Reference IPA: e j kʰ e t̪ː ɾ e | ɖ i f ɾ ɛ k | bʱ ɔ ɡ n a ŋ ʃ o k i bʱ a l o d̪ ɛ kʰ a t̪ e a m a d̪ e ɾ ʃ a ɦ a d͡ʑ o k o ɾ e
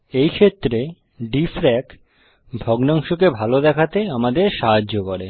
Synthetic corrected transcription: e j kʰ e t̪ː ɾ e | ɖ i f ɾ ɛ k | bʱ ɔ ɡ n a ŋ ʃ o k e bʱ a l o d̪ ɛ kʰ a t̪ e a m a d̪ e ɾ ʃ a ɦ a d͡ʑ o k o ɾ e